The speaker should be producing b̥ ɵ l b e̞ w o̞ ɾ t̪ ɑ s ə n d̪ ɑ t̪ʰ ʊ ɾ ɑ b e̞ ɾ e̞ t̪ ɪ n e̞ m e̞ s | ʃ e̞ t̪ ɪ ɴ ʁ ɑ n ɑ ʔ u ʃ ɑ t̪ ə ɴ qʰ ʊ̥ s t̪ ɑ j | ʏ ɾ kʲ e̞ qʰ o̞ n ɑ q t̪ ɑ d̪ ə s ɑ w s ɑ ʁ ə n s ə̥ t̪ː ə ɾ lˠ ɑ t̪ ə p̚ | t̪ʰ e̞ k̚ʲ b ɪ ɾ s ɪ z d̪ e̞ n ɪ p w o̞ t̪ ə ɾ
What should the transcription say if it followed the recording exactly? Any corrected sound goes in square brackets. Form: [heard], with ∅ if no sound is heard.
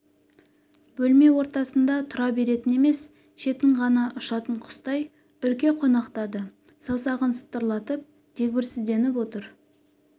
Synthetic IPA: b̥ ɵ l [m] e̞ w o̞ ɾ t̪ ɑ s ə n d̪ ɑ t̪ʰ ʊ ɾ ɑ b e̞ ɾ e̞ t̪ ɪ n e̞ m e̞ s | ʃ e̞ t̪ ɪ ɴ ʁ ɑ n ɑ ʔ [ʊ] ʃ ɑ t̪ ə ɴ qʰ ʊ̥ s t̪ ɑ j | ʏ ɾ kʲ e̞ qʰ o̞ n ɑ q t̪ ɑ d̪ ə s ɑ w s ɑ ʁ ə n s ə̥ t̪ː ə ɾ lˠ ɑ t̪ ə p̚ | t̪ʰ e̞ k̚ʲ b ɪ ɾ s ɪ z d̪ e̞ n ɪ p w o̞ t̪ ə ɾ